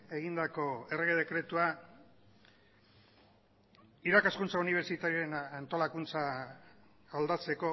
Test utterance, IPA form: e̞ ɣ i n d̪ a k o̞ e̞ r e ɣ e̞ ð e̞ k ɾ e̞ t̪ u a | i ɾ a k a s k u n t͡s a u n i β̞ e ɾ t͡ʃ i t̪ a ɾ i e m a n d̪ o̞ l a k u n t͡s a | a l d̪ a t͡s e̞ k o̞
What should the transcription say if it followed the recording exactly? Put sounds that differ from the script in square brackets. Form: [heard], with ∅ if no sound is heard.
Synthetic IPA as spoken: e̞ ɣ i n d̪ a k o̞ e̞ r e ɣ e̞ ð e̞ k ɾ e̞ t̪ u a | i ɾ a k a s k u n t͡s a u n i β̞ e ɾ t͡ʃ i t̪ a ɾ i e [n] a n [t̪] o̞ l a k u n t͡s a | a l d̪ a t͡s e̞ k o̞